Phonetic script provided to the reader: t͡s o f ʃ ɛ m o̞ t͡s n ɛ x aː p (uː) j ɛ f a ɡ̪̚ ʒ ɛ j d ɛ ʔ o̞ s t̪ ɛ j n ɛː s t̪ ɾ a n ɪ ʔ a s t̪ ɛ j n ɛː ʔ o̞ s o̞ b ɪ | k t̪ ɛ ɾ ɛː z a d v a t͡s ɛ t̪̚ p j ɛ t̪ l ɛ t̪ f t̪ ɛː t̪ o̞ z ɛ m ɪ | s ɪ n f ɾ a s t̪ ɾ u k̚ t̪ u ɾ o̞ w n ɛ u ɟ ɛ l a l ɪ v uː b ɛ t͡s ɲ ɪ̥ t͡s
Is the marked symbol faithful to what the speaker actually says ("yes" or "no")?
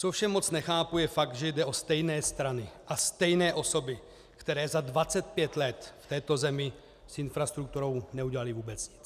no